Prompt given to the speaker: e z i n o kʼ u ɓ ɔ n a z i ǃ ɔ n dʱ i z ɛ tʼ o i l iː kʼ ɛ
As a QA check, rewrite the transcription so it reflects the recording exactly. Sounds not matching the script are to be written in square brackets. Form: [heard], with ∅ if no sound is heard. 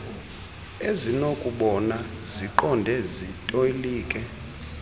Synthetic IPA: e z i n o kʼ u ɓ ɔ n a z i ǃ ɔ n dʱ [ɛ] z [i] tʼ o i l iː kʼ ɛ

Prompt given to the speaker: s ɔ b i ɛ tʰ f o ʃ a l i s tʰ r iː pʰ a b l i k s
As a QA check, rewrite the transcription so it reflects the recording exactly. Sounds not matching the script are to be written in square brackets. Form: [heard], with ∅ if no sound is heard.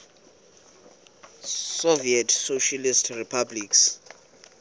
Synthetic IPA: s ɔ [v] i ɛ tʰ [s] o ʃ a l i s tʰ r [i] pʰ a b l i k s

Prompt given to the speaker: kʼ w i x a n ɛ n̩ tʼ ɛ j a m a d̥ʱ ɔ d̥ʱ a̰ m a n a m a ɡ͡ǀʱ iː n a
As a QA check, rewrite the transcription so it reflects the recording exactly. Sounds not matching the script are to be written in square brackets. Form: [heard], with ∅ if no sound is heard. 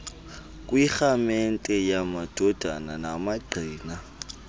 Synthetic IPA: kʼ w i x a [m] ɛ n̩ tʼ ɛ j a m a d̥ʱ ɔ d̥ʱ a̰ [n] a n a m a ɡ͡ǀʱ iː n a

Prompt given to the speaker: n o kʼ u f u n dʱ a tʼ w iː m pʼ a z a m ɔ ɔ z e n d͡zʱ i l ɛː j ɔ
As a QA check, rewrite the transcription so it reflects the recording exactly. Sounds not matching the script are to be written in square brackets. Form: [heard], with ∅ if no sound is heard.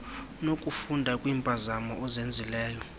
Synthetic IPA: n o kʼ u f u n dʱ a [kʼ] w iː m pʼ a z a m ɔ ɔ z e n d͡zʱ i l ɛː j ɔ

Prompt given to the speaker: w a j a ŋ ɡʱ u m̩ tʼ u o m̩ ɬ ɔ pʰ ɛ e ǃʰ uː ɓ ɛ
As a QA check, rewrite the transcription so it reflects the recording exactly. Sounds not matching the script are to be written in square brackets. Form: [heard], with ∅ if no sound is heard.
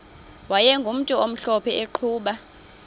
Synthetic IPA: w a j [ɛ] ŋ ɡʱ u m̩ tʼ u o m̩ ɬ ɔ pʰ ɛ e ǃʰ uː ɓ [a]

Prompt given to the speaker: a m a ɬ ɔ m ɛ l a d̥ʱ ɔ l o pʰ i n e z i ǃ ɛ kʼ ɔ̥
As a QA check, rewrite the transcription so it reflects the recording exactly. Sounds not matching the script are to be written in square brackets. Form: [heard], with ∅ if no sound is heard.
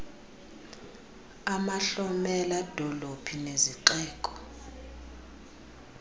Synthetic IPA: a m a ɬ ɔ m ɛ l a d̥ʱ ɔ l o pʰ i n e z i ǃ [ɛː] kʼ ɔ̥

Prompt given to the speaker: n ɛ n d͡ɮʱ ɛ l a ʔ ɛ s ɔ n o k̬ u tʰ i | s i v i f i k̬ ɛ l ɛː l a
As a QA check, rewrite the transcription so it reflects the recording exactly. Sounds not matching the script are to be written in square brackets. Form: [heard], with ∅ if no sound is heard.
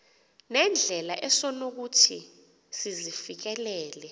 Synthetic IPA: n ɛ n d͡ɮʱ ɛ l a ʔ ɛ s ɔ n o k̬ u tʰ i | s i [z] i f i k̬ ɛ l ɛː l [ɛ]

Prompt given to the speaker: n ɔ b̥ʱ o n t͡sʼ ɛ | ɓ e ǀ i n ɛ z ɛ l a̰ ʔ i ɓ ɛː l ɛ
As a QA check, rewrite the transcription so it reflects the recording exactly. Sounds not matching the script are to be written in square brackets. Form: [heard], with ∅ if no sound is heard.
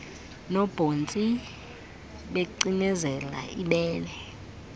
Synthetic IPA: n ɔ b̥ʱ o n t͡sʼ [i] | ɓ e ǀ i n ɛ z ɛ l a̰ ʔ i ɓ ɛː l ɛ

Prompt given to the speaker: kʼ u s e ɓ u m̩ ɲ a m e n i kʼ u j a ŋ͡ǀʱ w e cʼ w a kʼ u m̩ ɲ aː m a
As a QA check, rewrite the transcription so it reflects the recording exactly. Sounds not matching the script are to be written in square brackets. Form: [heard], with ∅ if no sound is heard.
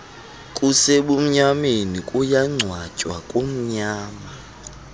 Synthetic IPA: kʼ u s e ɓ u m̩ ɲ a m e n i kʼ u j a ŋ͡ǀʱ w [a] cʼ w a kʼ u m̩ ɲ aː m a

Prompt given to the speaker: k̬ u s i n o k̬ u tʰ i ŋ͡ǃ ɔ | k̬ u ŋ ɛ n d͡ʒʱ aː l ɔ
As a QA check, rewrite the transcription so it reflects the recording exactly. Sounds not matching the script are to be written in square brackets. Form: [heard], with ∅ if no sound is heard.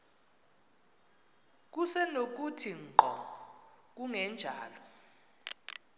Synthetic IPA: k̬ u s [ɛ] n o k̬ u tʰ i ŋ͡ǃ ɔ | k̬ u ŋ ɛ n d͡ʒʱ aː l ɔ

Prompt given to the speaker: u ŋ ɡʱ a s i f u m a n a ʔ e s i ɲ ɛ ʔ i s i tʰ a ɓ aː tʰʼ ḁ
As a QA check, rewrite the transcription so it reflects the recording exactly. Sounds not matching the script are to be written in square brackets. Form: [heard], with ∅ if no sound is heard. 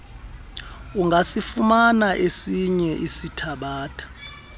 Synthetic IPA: u ŋ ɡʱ a s i f u m a n a ʔ e s i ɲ ɛ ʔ i s i tʰ a ɓ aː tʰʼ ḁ

